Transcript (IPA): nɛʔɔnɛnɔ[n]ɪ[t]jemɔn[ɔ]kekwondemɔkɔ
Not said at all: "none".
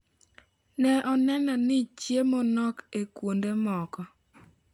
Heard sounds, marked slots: n, t͡ʃ, ɔ

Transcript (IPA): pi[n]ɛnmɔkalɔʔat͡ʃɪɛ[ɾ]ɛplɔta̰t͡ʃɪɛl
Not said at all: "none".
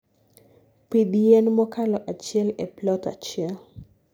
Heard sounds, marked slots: d, l

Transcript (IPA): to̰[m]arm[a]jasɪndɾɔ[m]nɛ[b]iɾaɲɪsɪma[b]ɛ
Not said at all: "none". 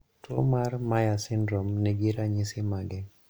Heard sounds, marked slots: m, a, m, ɡ, ɡ

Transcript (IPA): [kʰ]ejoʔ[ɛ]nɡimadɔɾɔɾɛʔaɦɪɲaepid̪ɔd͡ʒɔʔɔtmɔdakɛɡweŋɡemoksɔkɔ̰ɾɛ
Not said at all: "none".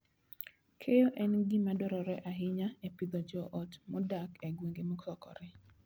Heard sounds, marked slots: kʰ, ɛ

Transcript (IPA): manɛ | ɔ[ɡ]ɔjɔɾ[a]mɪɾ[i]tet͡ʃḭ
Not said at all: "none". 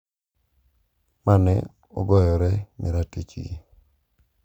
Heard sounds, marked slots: ɡ, ɛ, a

